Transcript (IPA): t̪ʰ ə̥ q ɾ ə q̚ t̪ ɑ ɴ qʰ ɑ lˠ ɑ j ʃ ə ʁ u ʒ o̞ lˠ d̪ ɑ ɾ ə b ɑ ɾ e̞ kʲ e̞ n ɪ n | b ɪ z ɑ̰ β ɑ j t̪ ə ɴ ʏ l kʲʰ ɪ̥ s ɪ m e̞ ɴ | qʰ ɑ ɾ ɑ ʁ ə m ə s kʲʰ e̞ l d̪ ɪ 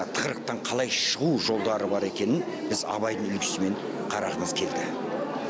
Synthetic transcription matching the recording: t̪ʰ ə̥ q ɾ ə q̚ t̪ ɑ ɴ qʰ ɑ lˠ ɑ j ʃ ə ʁ u ʒ o̞ lˠ d̪ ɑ ɾ ə b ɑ ɾ e̞ kʲ e̞ n ɪ n | b ɪ z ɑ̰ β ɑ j d̪ ə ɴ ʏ l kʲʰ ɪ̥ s ɪ m e̞ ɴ | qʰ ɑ ɾ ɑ ʁ ə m ə z kʲʰ e̞ l d̪ ɪ